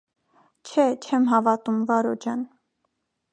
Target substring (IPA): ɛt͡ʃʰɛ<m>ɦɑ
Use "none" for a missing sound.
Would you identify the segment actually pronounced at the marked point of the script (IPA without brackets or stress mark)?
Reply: m